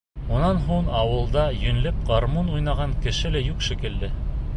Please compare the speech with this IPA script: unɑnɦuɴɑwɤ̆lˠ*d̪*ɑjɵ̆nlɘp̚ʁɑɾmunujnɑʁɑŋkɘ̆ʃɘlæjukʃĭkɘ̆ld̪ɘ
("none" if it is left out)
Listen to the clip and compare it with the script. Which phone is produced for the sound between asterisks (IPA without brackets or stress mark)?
d̪